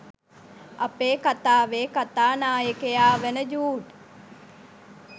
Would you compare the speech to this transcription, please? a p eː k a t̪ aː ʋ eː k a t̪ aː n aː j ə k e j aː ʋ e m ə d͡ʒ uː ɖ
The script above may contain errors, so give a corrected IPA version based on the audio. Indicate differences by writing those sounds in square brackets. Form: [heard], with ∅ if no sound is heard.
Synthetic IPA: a p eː k a t̪ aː ʋ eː k a t̪ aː n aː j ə k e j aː ʋ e [n] ə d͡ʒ uː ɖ